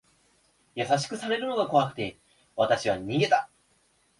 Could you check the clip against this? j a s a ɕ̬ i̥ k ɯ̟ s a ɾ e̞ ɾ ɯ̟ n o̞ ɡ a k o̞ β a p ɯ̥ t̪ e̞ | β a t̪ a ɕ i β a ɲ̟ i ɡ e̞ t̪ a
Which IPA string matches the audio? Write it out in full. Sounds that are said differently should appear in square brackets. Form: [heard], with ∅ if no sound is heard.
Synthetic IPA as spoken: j a s a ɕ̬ i̥ k ɯ̟ s a ɾ e̞ ɾ ɯ̟ n o̞ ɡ a k o̞ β a [k] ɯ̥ t̪ e̞ | β a t̪ a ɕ i β a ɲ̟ i ɡ e̞ t̪ a